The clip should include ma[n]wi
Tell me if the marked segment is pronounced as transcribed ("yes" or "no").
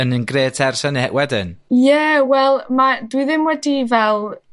no